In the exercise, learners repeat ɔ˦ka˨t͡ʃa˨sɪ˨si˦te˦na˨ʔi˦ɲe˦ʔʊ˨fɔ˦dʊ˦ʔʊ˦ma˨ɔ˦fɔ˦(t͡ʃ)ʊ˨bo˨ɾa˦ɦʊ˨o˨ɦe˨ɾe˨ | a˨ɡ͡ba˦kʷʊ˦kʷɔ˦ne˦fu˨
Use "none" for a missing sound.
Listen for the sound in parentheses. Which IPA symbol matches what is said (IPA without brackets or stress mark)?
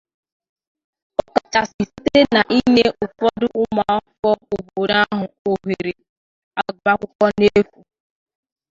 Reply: none